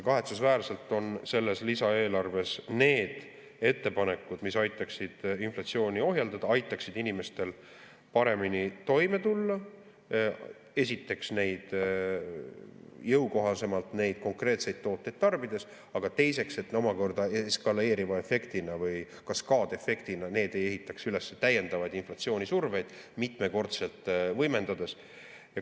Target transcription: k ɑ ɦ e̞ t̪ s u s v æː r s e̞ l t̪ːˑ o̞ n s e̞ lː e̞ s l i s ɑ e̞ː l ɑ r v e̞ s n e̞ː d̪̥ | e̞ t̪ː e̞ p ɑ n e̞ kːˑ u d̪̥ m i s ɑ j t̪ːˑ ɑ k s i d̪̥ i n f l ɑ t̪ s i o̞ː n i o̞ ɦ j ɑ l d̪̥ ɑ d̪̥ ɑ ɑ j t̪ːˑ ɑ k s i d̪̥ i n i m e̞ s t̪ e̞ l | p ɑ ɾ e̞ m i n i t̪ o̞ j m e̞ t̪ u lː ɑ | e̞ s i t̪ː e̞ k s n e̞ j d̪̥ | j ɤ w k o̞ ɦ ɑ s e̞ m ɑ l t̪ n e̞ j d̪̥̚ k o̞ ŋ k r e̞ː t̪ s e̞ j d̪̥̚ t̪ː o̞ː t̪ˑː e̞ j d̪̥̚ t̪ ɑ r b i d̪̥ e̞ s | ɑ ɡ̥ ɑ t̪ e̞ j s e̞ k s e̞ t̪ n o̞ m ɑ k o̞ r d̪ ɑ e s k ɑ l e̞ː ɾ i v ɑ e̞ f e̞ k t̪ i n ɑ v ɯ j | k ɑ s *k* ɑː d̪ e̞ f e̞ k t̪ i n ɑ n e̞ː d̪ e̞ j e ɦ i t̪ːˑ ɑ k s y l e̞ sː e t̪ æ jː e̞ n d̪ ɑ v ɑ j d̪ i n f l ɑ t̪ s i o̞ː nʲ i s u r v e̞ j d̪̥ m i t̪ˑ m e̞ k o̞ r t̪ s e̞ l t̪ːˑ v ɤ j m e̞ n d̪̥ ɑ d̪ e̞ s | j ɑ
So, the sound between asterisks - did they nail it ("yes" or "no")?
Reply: yes